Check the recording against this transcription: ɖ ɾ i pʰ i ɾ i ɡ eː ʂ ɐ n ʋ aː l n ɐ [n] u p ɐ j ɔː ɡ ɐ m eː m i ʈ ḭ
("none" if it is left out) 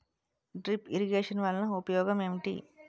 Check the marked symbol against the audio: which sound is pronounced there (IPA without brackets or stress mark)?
none